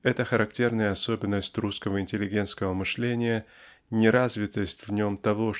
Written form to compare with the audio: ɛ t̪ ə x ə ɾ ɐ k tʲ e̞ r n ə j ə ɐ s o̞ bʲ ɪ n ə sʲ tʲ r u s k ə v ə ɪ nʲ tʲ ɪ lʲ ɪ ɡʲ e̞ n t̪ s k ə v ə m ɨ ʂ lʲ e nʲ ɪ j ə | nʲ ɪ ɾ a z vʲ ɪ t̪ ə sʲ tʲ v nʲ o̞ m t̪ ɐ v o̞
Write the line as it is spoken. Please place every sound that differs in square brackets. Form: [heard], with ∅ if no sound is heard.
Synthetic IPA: ɛ t̪ ə x ə ɾ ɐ k tʲ e̞ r n ə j ə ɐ s o̞ bʲ ɪ [nː] ə sʲ tʲ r u s k ə v ə ɪ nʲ tʲ ɪ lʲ ɪ ɡʲ e̞ n t̪ s k ə v ə m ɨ ʂ lʲ e nʲ ɪ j ə | nʲ ɪ ɾ a z vʲ ɪ t̪ ə sʲ tʲ v nʲ o̞ m t̪ ɐ v o̞